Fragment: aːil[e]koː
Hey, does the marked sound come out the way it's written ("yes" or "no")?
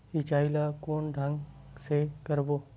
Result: no